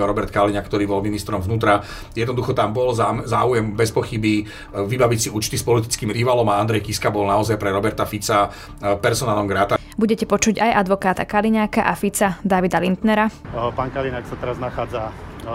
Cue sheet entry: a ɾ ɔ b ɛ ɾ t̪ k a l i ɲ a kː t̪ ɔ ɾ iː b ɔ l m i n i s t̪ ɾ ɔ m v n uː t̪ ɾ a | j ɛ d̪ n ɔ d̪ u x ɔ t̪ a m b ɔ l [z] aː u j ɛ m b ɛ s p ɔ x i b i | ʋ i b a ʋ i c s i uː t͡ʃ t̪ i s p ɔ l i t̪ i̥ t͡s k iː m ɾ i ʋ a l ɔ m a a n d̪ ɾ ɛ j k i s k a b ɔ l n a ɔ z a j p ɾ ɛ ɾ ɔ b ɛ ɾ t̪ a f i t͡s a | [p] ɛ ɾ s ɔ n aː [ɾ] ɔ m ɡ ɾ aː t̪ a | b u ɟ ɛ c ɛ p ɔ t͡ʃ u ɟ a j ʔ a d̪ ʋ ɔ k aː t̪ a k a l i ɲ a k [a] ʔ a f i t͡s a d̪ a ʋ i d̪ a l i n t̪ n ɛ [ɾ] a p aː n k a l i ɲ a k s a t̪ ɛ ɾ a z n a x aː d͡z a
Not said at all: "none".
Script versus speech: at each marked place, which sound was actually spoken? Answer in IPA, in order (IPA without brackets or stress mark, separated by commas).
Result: z, p, l, a, ɾ